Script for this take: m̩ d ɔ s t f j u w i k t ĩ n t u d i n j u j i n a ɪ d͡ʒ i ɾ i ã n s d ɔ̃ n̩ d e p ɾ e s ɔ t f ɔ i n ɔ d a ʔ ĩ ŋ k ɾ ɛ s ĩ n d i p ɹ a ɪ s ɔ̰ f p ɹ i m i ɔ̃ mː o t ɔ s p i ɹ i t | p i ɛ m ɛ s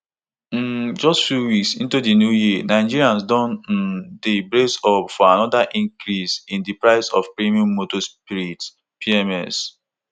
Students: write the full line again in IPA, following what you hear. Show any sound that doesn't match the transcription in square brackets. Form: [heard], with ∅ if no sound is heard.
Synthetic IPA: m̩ [d͡ʒ] ɔ s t f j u w i k [s] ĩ n t u d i n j u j i n a ɪ d͡ʒ i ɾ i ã n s d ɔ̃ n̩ d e [b] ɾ e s ɔ [p] f ɔ [a] n ɔ d a ʔ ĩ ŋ k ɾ [i] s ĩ n d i p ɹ a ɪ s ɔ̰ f p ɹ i m i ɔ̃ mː o t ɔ s p i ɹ i t | p i ɛ m ɛ s